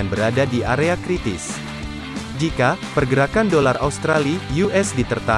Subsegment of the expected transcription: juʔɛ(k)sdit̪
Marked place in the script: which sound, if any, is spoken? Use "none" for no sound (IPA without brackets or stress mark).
none